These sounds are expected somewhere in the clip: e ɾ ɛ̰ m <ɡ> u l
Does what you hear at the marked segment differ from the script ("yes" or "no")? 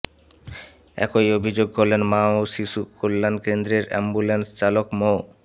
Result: yes